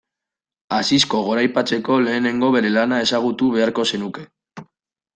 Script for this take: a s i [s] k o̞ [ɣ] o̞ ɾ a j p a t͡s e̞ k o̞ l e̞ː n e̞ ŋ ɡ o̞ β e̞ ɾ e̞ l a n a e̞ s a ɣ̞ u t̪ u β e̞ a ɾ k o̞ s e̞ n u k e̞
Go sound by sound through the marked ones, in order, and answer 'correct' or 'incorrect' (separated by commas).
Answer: correct, correct